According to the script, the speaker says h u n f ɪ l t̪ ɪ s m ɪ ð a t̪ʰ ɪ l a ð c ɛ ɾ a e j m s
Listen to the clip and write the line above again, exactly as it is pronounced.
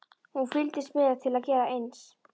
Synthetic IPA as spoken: h u n f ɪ l t̪ ɪ s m ɪ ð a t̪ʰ ɪ l a ð c ɛː ɾ a e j n s